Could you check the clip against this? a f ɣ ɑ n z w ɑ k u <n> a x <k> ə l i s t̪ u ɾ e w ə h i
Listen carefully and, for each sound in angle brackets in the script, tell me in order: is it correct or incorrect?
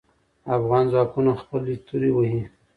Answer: correct, incorrect: p

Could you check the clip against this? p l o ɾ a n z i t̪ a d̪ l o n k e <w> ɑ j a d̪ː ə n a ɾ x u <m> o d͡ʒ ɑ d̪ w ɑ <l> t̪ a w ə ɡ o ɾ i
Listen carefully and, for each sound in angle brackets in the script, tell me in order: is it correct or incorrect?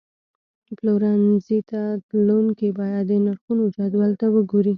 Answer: incorrect: b, incorrect: n, correct

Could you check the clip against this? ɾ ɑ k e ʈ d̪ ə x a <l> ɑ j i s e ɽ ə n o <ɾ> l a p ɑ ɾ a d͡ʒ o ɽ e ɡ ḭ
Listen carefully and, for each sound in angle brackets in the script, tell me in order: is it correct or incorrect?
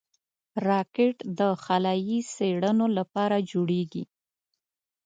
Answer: correct, incorrect: none

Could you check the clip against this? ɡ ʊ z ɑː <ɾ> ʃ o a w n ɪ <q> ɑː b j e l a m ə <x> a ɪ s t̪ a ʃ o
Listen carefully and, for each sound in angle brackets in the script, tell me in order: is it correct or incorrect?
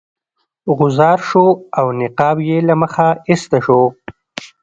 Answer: correct, correct, correct

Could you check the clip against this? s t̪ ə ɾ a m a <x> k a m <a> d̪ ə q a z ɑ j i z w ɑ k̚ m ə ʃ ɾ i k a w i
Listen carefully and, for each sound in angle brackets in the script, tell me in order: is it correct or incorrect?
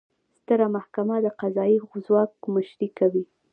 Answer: incorrect: h, correct

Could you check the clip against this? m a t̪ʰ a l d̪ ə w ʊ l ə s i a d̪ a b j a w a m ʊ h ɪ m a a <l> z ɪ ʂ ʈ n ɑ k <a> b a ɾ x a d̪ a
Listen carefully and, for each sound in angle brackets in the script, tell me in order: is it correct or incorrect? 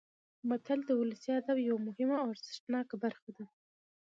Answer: incorrect: ɾ, correct

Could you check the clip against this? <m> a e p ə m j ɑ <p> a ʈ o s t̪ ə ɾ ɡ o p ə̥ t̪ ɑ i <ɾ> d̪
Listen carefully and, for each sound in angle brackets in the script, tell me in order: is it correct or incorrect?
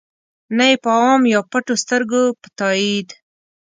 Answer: incorrect: n, correct, incorrect: none

